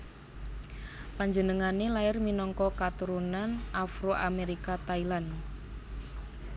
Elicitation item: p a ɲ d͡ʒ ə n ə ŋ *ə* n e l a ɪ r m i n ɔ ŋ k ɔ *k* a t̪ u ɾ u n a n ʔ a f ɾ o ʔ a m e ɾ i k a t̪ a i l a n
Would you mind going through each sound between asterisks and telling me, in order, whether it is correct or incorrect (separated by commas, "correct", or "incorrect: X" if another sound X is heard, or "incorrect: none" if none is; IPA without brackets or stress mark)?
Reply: incorrect: a, correct